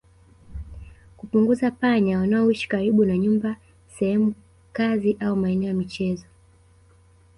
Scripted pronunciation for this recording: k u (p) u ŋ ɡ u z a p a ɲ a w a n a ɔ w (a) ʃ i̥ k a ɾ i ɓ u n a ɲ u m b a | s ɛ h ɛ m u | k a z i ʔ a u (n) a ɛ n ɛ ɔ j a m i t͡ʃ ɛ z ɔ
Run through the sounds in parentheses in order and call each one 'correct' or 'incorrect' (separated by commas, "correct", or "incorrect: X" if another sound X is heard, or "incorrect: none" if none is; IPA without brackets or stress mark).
correct, incorrect: i, incorrect: m